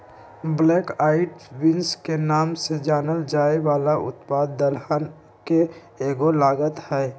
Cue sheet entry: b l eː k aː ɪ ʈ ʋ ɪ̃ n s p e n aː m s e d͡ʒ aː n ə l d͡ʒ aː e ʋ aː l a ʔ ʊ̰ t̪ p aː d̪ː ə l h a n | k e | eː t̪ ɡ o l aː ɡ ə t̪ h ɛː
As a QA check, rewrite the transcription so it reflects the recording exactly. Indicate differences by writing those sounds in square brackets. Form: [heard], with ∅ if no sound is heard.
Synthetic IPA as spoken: b l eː k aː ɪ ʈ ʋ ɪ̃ n s [k] e n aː m s e d͡ʒ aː n ə l d͡ʒ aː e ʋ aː l a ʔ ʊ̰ t̪ p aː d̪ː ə l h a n | k e | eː [∅] ɡ o l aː ɡ ə t̪ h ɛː